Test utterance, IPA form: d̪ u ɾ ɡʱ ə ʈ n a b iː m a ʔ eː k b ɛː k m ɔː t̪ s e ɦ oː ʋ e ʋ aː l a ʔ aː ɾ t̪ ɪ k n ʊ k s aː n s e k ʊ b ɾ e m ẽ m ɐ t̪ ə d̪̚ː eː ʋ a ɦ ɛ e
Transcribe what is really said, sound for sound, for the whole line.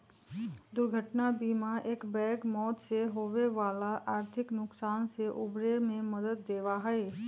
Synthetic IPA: d̪ ʊ ɾ ɡʱ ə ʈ n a b iː m a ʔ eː k b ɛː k m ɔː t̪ s e ɦ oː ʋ e ʋ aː l a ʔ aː ɾ t̪ʰ ɪ k n ʊ k s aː n s e ʔ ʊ b ɾ e m ẽ m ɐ d̪ ə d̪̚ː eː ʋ a ɦ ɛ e

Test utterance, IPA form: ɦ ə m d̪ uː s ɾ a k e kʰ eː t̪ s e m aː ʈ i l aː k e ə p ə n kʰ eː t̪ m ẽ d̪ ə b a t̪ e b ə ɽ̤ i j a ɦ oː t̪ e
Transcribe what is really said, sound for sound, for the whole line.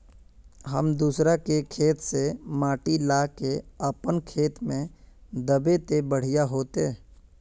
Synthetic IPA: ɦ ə m d̪ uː s ɾ a k e kʰ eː t̪ s e m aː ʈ i l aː k e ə p ə n kʰ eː t̪ m ẽ d̪ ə b e t̪ e b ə ɽ̤ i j a ɦ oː t̪ e

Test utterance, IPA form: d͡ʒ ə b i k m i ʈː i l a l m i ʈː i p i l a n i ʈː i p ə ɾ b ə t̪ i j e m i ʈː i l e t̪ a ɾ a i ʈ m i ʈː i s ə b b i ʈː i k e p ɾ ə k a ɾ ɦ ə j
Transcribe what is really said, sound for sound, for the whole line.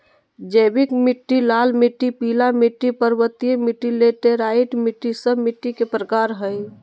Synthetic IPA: d͡ʒ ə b i k m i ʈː i l a l m i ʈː i p i l a m i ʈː i p ə ɾ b ə t̪ i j e m i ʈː i l e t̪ e ɾ a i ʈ m i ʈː i s ə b m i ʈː i k e p ɾ ə k a ɾ ɦ ə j

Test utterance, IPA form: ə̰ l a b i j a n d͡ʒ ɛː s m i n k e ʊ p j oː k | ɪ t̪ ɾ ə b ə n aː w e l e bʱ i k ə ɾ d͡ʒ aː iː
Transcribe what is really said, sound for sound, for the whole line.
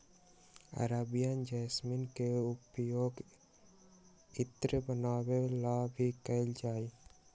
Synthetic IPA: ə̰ ɾ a b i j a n d͡ʒ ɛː s m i n k e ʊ p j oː ɡ | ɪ t̪ ɾ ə b ə n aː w e l a bʱ i k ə l d͡ʒ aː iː

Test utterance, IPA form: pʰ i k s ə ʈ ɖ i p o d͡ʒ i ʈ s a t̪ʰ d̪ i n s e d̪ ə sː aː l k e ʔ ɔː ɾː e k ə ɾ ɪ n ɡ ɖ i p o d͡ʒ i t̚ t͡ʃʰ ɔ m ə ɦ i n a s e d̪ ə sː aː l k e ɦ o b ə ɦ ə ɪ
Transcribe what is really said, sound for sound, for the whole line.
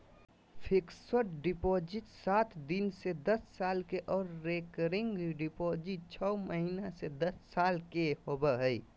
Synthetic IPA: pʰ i k s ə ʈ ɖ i p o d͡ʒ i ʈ s a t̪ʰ d̪ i n s e d̪ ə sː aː l k e ʔ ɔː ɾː e k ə ɾ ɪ ŋ ɡ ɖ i p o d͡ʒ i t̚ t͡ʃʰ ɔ m ə ɦ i n a s e d̪ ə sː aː l k e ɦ o b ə ɦ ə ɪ

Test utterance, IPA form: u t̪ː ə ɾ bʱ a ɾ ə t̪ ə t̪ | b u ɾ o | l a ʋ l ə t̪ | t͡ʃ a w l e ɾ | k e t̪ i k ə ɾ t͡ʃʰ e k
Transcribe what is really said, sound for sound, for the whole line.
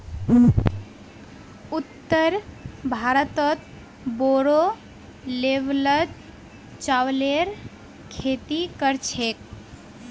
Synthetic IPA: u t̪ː ə ɾ bʱ a ɾ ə t̪ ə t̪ | b o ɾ o | l e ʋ l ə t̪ | t͡ʃ a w l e ɾ | kʰ e t̪ i k ə ɾ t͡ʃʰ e k

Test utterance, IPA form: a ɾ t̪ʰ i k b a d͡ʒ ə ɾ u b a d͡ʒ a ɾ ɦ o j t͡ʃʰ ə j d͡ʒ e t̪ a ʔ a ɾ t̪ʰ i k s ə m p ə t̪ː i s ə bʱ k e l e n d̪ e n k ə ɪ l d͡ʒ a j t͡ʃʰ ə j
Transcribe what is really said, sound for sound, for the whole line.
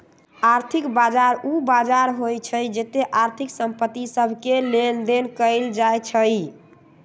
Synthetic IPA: a ɾ t̪ʰ i k b a d͡ʒ a ɾ u b a d͡ʒ a ɾ ɦ o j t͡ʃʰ ə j d͡ʒ e t̪ e ʔ a ɾ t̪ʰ i k s ə m p ə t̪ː i s ə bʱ k e l e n d̪ e n k ə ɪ l d͡ʒ a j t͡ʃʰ ə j

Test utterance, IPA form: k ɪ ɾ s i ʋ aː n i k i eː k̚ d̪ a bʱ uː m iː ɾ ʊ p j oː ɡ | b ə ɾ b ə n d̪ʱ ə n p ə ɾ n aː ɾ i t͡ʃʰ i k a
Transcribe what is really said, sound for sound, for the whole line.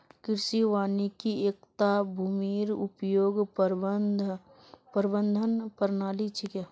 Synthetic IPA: k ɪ ɾ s i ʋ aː n i k i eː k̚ t̪ a bʱ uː m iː ɾ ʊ p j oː ɡ | p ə ɾ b ə n d̪ʱ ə n p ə ɾ n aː l i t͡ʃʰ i k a

